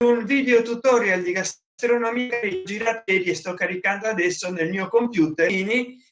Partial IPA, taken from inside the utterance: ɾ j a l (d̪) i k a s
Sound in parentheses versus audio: correct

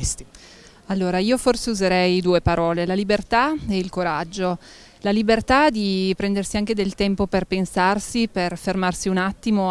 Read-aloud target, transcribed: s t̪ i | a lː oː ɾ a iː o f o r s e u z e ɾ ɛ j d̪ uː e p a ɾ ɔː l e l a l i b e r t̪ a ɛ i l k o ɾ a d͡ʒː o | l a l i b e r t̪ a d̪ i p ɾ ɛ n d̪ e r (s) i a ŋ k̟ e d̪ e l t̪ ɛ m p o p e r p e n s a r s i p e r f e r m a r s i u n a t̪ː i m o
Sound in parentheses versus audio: correct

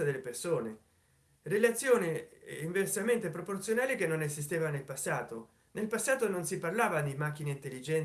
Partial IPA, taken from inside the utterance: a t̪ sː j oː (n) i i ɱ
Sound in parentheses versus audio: correct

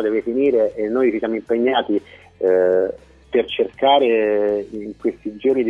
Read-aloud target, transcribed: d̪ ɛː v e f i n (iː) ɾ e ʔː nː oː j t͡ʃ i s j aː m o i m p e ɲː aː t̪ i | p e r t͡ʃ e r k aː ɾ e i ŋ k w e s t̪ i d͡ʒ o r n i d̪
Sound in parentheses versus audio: correct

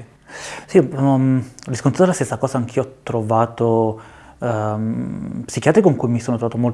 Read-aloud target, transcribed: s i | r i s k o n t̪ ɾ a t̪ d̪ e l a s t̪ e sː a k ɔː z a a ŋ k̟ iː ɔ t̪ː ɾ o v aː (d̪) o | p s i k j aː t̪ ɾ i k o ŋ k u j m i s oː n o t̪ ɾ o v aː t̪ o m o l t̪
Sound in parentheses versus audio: incorrect: t̪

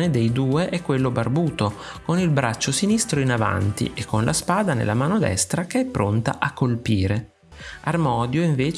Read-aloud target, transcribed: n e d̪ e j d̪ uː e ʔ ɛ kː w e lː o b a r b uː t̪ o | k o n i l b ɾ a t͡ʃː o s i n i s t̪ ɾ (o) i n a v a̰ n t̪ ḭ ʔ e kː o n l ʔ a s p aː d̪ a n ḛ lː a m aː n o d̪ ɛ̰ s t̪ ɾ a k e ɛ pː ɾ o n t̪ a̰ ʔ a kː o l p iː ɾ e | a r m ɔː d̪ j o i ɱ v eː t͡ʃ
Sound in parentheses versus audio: correct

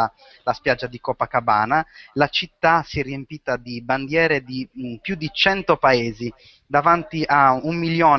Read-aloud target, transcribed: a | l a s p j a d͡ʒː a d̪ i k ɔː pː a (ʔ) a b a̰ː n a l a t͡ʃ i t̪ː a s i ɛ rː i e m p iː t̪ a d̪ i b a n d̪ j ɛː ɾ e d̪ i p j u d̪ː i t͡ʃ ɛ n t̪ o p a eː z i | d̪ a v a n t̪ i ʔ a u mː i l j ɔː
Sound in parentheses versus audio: incorrect: k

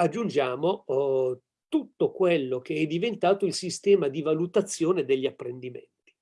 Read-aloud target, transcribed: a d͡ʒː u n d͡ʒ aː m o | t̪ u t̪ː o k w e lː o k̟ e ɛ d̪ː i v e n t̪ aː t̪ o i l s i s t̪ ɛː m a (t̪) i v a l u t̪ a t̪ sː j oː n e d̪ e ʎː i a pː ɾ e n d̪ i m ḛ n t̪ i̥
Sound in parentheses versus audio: incorrect: d̪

